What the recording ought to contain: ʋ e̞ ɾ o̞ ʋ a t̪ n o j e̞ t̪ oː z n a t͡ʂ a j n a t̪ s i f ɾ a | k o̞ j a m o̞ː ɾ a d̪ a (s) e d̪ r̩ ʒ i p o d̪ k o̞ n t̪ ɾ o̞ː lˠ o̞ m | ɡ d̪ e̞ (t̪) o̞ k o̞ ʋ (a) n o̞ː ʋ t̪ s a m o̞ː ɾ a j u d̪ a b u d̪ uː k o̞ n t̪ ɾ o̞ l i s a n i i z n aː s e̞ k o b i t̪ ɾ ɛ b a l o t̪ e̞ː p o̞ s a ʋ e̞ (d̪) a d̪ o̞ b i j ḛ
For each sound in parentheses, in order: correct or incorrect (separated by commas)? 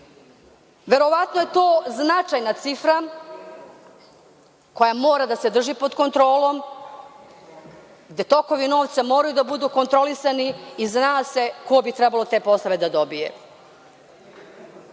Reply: correct, correct, incorrect, correct